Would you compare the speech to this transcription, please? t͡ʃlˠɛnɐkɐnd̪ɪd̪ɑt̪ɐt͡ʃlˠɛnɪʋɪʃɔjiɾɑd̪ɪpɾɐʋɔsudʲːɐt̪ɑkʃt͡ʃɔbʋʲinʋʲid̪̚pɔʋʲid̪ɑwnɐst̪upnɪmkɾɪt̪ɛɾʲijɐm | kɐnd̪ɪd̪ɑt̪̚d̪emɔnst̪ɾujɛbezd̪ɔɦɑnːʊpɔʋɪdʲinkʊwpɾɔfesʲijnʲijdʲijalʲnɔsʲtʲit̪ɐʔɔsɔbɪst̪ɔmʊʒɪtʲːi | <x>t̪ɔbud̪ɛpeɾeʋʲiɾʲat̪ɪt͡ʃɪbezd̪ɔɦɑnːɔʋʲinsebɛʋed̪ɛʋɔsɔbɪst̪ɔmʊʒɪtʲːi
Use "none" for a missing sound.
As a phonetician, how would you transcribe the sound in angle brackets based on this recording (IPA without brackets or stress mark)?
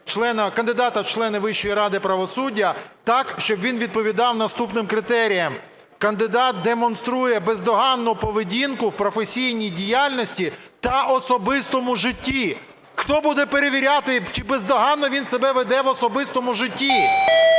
x